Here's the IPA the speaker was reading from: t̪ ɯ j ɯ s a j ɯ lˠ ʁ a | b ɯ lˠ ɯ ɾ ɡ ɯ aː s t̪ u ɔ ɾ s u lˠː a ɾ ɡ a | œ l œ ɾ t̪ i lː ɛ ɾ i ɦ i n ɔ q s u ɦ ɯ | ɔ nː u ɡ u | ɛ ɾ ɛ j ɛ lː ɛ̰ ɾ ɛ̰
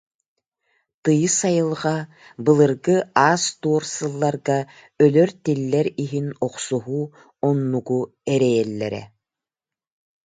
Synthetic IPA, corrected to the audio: t̪ ɯ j ɯ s a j ɯ lˠ ʁ a | b ɯ lˠ ɯ ɾ ɡ ɯ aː s t̪ u ɔ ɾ s ɯ lˠː a ɾ ɡ a | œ l œ ɾ t̪ i lː ɛ ɾ i ɦ i n ɔ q s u ɦ u | ɔ nː u ɡ u | ɛ ɾ ɛ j ɛ lː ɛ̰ ɾ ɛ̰

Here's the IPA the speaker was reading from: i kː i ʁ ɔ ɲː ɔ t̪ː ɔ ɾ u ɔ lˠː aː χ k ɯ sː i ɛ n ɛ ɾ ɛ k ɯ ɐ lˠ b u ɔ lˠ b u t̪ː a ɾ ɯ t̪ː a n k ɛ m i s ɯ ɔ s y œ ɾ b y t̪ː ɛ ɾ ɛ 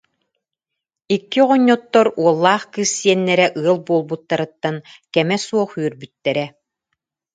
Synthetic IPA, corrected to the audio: i kː i ʁ ɔ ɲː ɔ t̪ː ɔ ɾ u ɔ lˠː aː χ k ɯ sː i ɛ nː ɛ ɾ ɛ ʔ ɯ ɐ lˠ b u ɔ lˠ b u t̪ː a ɾ ɯ t̪ː a n k ɛ m ɛ s u ɔ χ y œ ɾ b y t̪ː ɛ ɾ ɛ

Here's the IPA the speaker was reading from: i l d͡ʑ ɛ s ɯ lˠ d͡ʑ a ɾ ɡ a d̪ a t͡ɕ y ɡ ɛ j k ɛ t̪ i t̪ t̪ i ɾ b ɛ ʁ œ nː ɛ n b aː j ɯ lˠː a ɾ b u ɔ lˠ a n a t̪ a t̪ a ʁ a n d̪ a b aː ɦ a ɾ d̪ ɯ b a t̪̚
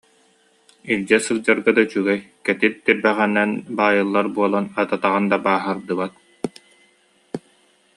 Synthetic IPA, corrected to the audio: i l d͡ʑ ɛ s ɯ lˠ d͡ʑ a ɾ ɡ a d̪ a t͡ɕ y ɡ ɛ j k ɛ t̪ i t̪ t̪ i ɾ b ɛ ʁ ɛ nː ɛ n b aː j ɯ lˠː a ɾ b u ɔ lˠ a n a t̪ a t̪ a ʁ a n d̪ a b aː ɦ a ɾ d̪ ɯ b a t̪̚

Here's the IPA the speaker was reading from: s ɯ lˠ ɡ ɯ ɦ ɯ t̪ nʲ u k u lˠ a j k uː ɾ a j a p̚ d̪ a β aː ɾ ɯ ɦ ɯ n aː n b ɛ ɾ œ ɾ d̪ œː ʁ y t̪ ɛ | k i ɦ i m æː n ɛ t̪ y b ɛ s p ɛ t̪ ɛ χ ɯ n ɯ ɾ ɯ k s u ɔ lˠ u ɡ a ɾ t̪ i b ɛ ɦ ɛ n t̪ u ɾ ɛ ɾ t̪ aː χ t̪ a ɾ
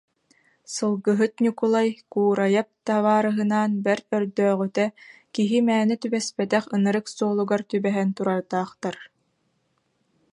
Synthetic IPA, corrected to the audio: s ɯ lˠ ɡ ɯ ɦ ɯ t̪ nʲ u k u lˠ a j k uː ɾ a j a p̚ t̪ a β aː ɾ ɯ ɦ ɯ n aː n b ɛ ɾ œ ɾ d̪ œː ʁ y t̪ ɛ | k i ɦ i m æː n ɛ t̪ y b ɛ s p ɛ t̪ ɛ χ ɯ n ɯ ɾ ɯ k s u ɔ lˠ u ɡ a ɾ t̪ y b ɛ ɦ ɛ n t̪ u ɾ a ɾ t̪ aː χ t̪ a ɾ

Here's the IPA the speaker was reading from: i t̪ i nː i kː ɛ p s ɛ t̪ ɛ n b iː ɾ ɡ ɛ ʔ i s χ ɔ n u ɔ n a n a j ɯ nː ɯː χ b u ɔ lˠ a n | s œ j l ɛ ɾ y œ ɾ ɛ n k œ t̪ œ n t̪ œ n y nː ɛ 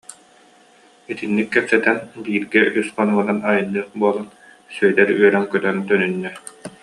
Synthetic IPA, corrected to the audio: i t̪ i nː i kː ɛ p s ɛ t̪ ɛ n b iː ɾ ɡ ɛ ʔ y s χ ɔ n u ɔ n a n a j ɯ nː ɯː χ b u ɔ lˠ a n | s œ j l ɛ ɾ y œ ɾ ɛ ŋ k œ t̪ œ n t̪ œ n y nː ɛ

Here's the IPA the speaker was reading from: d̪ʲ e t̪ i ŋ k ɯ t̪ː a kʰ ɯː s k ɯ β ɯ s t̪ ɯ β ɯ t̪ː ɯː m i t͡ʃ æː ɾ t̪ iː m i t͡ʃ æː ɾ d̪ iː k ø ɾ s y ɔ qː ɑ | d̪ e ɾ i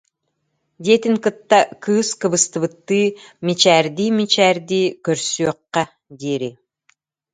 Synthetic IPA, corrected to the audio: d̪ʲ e t̪ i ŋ k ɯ t̪ː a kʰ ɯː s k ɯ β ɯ s t̪ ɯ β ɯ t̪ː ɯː m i t͡ʃ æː ɾ d̪ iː m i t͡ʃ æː ɾ d̪ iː k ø ɾ s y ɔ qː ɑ | d̪ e ɾ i

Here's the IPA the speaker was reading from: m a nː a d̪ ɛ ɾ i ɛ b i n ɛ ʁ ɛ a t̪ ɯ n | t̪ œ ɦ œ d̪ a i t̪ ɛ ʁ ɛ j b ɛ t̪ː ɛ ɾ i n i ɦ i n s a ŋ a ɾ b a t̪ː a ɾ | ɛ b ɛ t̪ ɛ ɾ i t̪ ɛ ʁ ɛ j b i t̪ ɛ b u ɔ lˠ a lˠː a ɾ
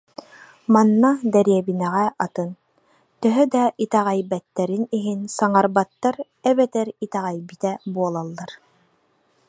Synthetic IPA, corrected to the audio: m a nː a d̪ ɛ ɾ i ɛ b i n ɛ ʁ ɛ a t̪ ɯ n | t̪ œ ɦ œ d̪ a i t̪ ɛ ʁ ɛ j b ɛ t̪ː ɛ ɾ i n i ɦ i n s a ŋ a ɾ b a t̪ː a ɾ | ɛ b ɛ t̪ ɛ ɾ i t̪ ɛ ʁ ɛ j b i t̪ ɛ b u ɔ lˠ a lˠː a ɾ

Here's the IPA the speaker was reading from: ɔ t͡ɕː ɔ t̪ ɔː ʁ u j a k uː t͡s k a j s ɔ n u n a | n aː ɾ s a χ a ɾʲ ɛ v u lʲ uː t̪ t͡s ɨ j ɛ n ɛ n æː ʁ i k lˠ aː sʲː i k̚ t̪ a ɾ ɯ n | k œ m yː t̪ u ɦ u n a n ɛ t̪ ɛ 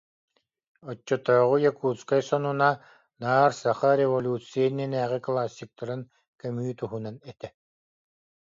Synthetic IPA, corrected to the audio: ɔ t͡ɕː ɔ t̪ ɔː ʁ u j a k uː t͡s k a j s ɔ n u n a | n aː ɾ s a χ a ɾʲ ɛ v ɔ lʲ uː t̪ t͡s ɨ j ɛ n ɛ n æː ʁ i k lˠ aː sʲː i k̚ t̪ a ɾ ɯ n | k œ m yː t̪ u ɦ u n a n ɛ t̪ ɛ

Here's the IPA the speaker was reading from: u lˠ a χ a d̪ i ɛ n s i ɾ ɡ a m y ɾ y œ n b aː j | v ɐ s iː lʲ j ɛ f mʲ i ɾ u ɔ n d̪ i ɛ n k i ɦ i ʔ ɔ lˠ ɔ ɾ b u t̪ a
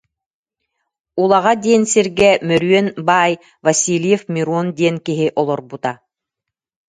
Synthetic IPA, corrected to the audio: u lˠ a ʁ a d̪ i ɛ n s i ɾ ɡ ɛ m œ ɾ y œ n b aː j | v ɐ s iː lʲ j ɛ f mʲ i ɾ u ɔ n d̪ i ɛ n k i ɦ i ʔ ɔ lˠ ɔ ɾ b u t̪ a

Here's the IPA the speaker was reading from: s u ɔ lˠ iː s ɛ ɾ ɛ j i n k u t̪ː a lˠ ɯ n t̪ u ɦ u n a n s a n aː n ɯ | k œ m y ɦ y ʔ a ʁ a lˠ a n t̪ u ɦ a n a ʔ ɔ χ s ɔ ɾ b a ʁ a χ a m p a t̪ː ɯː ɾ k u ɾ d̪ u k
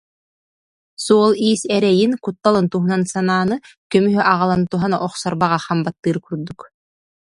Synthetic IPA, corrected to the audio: s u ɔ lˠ iː s ɛ ɾ ɛ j i n k u t̪ː a lˠ ɯ n t̪ u ɦ u n a n s a n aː n ɯ | k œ m y ɦ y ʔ a ʁ a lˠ a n t̪ u ɦ a n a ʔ ɔ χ s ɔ ɾ b a ʁ a χ a m b a t̪ː ɯː ɾ k u ɾ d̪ u k

